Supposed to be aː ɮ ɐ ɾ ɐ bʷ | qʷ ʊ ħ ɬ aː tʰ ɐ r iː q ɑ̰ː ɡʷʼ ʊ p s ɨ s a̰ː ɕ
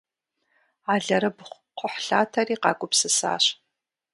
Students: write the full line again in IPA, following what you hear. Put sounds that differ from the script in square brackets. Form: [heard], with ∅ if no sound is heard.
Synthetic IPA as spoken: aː ɮ ɐ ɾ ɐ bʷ | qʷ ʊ ħ ɬ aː tʰ ɐ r iː q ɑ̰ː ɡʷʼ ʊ p s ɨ s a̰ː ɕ